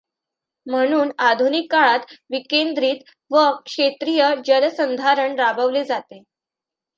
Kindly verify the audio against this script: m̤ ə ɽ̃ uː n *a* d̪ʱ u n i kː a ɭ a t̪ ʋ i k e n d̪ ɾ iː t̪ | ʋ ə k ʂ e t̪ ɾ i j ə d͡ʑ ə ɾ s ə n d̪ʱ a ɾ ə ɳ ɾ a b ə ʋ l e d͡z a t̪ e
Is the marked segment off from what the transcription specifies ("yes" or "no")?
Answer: no